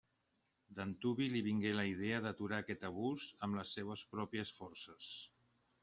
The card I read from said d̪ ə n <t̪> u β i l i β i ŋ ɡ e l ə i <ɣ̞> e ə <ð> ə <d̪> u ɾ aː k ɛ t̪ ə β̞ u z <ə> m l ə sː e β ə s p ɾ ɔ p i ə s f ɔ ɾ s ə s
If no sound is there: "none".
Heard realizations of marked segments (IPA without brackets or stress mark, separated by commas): t̪, ð̞, ð, t̪, ə